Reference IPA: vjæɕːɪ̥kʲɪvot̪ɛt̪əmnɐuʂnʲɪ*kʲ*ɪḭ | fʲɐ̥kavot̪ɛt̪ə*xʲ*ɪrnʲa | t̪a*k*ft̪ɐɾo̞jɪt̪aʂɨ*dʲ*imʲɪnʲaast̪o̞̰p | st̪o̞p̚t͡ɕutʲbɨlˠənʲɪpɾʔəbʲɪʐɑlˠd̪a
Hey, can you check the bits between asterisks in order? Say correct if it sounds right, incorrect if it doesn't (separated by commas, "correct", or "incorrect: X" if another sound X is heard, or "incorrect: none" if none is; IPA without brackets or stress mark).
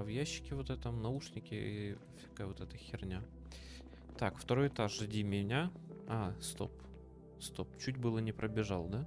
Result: correct, correct, correct, correct